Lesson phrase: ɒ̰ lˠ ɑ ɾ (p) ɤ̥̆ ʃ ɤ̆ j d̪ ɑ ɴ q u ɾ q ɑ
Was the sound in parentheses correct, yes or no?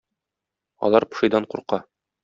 yes